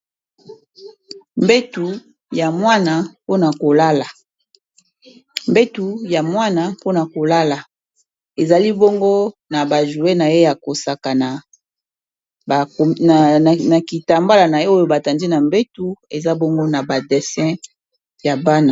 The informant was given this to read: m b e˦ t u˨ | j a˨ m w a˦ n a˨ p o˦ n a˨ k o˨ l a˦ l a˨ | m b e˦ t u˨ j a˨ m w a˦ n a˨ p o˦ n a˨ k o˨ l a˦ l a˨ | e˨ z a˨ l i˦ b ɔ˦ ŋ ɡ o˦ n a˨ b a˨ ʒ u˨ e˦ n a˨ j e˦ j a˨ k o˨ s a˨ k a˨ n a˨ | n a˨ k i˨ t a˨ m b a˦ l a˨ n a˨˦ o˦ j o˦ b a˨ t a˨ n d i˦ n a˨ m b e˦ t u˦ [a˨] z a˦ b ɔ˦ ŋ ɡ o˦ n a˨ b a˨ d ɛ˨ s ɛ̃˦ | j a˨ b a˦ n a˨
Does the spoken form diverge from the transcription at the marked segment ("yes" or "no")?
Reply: yes